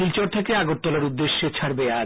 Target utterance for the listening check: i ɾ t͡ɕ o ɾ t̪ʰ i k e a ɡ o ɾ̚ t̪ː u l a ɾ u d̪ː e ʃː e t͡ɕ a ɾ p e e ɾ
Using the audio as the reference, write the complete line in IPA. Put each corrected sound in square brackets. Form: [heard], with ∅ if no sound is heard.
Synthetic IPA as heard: i [l] t͡ɕ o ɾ t̪ʰ [e] k e a ɡ o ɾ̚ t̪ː [ɔ] l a ɾ u d̪ː e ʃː e [t͡ɕʰ] a ɾ [b] e [a] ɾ